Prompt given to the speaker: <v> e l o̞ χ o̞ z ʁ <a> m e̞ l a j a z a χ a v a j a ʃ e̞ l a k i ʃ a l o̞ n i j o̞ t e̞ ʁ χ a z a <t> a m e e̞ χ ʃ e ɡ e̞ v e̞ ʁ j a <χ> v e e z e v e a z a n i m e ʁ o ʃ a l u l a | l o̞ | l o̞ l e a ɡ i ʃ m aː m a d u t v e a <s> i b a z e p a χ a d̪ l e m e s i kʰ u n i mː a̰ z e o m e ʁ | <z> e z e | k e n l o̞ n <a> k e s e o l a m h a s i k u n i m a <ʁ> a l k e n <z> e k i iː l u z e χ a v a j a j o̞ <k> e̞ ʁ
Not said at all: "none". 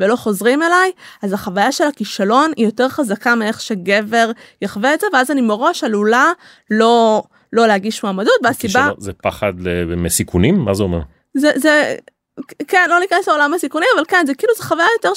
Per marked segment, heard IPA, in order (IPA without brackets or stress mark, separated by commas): v, i, k, χ, s, z, i, v, z, t